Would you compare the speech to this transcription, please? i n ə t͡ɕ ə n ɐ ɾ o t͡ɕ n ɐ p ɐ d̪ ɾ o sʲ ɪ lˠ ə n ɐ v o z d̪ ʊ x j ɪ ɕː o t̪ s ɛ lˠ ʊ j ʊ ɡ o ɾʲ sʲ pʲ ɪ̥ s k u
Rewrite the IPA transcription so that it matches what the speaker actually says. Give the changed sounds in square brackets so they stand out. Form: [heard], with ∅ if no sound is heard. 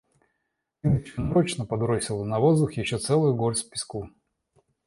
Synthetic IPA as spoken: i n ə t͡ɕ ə n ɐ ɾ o t͡ɕ n [ə] p ɐ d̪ ɾ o sʲ ɪ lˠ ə n ɐ v o z d̪ ʊ x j ɪ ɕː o t̪ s ɛ lˠ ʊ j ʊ ɡ o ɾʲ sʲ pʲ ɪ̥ s k u